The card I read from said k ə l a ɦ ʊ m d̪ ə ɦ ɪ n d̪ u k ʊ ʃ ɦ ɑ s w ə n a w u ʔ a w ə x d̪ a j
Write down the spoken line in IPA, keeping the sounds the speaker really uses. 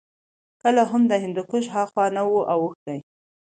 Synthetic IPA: k ə l a ɦ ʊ m d̪ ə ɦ ɪ n d̪ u k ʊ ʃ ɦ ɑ x w ɑ n a w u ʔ a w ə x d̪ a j

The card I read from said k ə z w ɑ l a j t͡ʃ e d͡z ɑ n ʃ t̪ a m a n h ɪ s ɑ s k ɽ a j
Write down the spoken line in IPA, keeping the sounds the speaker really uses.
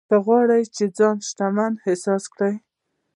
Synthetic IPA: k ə ɣ w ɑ ɽ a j t͡ʃ e d͡z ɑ n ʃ t̪ a m a n h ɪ s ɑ s k ɽ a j

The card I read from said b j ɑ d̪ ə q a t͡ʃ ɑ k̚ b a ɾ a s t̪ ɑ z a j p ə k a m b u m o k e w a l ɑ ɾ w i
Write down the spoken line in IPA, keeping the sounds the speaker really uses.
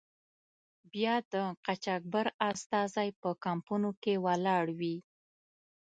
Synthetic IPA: b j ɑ d̪ ə q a t͡ʃ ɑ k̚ b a ɾ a s t̪ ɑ z a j p ə k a m p u n o k e w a l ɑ ɽ w i

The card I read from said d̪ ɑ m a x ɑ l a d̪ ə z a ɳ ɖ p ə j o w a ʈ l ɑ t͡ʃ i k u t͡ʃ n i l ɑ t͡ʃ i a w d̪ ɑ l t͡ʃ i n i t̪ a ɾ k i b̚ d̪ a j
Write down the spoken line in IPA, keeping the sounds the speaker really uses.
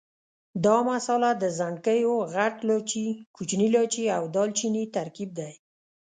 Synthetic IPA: d̪ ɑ m a s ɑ l a d̪ ə z a ɳ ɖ k ə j o ɣ a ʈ l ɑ t͡ʃ i k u t͡ʃ n i l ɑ t͡ʃ i a w d̪ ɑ l t͡ʃ i n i t̪ a ɾ k i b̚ d̪ a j

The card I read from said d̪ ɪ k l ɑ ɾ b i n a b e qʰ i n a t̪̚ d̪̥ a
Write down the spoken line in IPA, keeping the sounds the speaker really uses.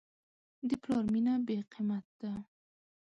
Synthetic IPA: d̪ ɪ p l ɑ ɾ m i n a b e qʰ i m a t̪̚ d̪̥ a

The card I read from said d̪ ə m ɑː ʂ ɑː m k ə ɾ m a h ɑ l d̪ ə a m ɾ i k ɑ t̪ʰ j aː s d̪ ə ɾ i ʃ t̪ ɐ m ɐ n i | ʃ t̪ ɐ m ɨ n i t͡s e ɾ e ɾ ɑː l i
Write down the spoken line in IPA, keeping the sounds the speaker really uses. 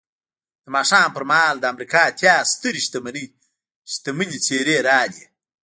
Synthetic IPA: d̪ ə m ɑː ʂ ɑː m p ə ɾ m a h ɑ l d̪ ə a m ɾ i k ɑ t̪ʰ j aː s t̪ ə ɾ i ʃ t̪ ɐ m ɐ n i | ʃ t̪ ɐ m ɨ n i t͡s e ɾ e ɾ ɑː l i

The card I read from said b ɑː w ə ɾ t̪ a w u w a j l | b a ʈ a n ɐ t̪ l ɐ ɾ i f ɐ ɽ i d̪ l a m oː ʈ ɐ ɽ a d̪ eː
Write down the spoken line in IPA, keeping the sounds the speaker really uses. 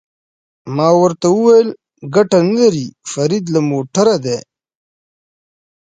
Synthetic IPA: m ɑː w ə ɾ t̪ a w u w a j l | ɡ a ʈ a n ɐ l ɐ ɾ i f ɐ ɾ i d̪ l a m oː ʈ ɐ ɾ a d̪ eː

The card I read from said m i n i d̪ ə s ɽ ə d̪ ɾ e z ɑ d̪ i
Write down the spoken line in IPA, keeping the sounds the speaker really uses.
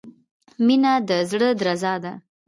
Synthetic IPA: m i n a d̪ ə z ɽ ə d̪ ɾ a z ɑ d̪ a

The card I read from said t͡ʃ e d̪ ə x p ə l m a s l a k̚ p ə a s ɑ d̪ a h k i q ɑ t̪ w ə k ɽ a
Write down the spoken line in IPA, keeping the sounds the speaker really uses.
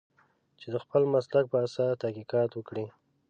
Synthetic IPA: t͡ʃ e d̪ ə x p ə l m a s l a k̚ p ə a s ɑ t̪ a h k i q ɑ t̪ w ə k ɽ i

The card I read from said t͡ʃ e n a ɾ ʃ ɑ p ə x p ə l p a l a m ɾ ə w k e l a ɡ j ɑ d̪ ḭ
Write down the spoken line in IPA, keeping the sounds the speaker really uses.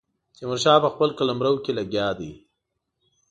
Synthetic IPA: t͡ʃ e m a ɾ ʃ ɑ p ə x p ə l k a l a m ɾ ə w k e l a ɡ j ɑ d̪ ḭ

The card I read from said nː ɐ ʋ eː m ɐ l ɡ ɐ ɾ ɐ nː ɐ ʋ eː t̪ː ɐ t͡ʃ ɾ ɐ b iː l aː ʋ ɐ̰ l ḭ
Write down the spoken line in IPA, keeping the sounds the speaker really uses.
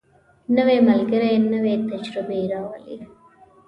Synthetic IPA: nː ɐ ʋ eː m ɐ l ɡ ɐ ɾ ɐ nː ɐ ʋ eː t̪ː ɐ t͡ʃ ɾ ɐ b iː ɾ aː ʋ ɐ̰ l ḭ

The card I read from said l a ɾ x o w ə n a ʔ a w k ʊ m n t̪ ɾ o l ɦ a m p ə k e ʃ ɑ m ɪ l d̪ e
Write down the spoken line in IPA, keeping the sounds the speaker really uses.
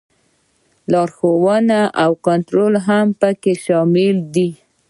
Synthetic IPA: l ɑ ɾ x o w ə n a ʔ a w k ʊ n t̪ ɾ o l ɦ a m p ə k e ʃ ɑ m ɪ l d̪ i

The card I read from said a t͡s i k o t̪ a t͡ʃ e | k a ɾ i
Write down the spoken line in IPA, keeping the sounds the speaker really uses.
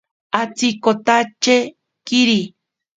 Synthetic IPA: a t͡s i k o t̪ a t͡ʃ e | k i ɾ i

